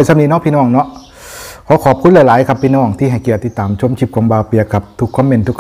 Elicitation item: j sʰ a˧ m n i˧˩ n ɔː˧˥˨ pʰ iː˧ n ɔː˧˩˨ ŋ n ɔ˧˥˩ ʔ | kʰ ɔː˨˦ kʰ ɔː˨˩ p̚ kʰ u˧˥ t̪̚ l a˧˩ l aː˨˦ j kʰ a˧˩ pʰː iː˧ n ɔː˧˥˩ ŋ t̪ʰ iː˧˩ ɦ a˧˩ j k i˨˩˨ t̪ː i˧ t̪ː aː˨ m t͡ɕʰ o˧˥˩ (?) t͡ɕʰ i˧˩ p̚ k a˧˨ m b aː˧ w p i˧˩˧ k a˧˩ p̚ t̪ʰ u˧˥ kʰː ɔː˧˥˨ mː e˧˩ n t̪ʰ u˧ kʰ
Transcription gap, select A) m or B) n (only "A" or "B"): A